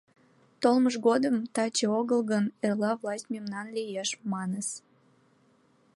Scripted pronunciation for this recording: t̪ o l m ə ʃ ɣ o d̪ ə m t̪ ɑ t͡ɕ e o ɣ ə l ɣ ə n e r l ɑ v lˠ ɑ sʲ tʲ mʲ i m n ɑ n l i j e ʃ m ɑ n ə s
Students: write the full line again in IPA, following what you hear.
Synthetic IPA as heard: t̪ o l m ə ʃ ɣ o d̪ ə m t̪ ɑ t͡ɕ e o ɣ ə l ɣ ə n e r l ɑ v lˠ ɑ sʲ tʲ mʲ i m n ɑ n l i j e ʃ m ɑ n ə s